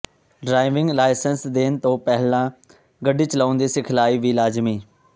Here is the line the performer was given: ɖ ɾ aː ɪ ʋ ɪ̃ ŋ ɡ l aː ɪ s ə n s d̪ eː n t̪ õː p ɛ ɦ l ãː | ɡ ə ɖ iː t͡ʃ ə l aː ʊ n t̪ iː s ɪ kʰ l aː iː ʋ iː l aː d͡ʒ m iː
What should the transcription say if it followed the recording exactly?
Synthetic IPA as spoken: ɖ ɾ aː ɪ ʋ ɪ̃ ŋ ɡ l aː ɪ s ə n s d̪ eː n t̪ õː p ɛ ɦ l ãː | ɡ ə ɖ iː t͡ʃ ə l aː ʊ n d̪ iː s ɪ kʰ l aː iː ʋ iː l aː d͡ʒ m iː